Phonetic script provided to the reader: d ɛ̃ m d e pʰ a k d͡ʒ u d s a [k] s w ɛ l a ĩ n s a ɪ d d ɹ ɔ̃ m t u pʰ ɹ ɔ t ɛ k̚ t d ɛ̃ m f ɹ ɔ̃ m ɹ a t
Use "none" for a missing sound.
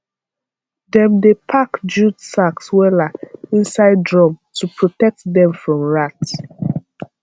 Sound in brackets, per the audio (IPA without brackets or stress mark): k